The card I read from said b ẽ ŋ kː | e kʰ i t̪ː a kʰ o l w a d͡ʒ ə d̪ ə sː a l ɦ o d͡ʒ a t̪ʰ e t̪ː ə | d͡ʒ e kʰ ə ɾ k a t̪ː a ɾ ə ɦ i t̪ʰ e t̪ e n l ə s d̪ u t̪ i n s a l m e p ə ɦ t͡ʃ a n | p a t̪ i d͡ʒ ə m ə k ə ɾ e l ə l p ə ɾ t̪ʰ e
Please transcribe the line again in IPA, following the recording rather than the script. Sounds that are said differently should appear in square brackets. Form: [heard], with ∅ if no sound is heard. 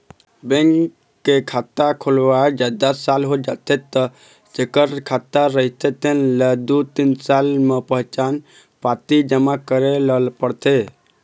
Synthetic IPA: b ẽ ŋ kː | e kʰ [a] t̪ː a kʰ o l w a d͡ʒ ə d̪ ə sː a l ɦ o d͡ʒ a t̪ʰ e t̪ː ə | d͡ʒ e [k] ə ɾ [kʰ] a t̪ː a ɾ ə ɦ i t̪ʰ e t̪ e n l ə [∅] d̪ u t̪ i n s a l m e p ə ɦ t͡ʃ a n | p a t̪ i d͡ʒ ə m [a] k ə ɾ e l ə l p ə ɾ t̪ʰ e